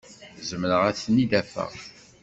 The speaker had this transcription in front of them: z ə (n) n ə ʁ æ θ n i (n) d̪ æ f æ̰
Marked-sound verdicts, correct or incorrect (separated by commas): incorrect, incorrect